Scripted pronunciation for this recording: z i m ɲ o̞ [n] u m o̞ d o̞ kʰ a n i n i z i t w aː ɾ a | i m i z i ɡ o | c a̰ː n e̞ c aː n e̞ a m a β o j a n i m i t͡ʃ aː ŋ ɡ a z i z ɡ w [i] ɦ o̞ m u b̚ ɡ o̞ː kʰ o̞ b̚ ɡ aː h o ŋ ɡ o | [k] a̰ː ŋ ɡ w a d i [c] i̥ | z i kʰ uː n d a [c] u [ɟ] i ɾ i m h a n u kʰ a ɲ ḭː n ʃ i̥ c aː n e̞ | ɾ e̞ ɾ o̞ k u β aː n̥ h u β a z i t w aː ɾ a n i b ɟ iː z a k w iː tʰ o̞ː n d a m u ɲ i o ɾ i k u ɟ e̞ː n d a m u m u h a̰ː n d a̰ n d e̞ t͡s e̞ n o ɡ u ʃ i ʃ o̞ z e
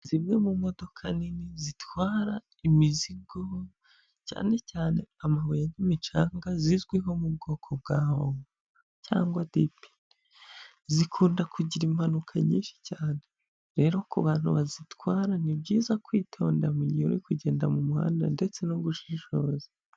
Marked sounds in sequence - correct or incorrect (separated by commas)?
incorrect, correct, incorrect, incorrect, incorrect, correct